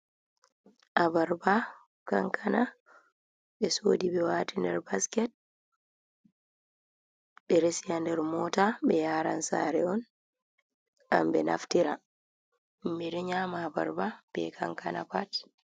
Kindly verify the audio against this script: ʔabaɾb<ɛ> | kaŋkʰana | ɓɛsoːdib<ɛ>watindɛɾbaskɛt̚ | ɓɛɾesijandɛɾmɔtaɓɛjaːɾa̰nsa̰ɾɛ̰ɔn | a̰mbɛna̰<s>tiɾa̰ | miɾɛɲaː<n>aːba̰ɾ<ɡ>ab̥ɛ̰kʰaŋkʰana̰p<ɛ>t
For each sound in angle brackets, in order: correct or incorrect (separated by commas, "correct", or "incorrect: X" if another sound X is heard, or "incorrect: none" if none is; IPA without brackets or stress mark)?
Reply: incorrect: a, correct, incorrect: f, incorrect: m, incorrect: b, incorrect: a